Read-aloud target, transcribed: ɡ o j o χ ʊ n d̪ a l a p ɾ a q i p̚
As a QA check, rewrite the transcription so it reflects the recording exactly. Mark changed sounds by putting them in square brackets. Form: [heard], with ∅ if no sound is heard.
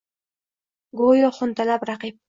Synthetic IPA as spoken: ɡ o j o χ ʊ n [t̪] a l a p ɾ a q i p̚